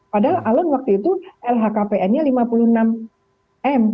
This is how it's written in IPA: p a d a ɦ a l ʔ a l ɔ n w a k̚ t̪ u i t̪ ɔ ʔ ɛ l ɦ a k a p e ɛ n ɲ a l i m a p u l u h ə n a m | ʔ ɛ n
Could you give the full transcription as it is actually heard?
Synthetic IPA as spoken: p a d a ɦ a l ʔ a l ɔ n w a k̚ t̪ u i t̪ u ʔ ɛ l ɦ a k a p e ɛ n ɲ a l i m a p u l u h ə n a m | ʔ ɛ m